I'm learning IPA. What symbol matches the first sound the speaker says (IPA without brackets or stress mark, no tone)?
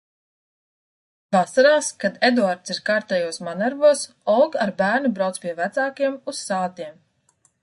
v